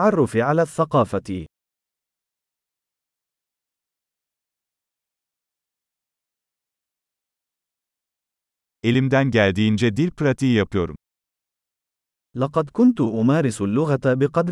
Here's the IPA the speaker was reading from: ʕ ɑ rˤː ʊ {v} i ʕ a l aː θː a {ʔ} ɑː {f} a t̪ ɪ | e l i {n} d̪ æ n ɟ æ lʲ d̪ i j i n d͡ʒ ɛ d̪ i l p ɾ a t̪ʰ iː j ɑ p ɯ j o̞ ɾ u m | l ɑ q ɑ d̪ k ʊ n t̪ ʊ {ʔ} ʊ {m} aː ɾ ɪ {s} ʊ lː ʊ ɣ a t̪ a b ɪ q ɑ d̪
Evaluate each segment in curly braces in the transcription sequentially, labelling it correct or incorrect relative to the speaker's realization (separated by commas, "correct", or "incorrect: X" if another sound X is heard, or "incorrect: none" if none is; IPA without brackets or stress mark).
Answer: incorrect: f, incorrect: q, correct, incorrect: m, correct, correct, correct